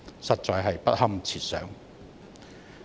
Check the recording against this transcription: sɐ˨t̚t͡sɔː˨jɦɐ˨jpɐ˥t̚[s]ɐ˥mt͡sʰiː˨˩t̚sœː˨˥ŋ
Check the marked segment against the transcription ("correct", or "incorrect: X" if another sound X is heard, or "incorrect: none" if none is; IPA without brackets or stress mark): incorrect: h